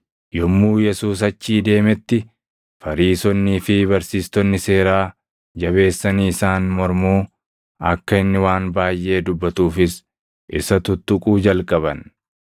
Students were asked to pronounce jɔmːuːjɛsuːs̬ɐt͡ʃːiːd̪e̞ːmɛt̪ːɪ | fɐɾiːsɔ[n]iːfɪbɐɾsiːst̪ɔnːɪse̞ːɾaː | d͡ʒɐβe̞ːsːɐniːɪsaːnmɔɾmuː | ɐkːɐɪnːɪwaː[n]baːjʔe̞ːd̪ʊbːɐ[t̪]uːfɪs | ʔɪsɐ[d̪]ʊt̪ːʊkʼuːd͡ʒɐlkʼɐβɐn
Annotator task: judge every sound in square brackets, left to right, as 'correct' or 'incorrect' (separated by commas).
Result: incorrect, correct, correct, incorrect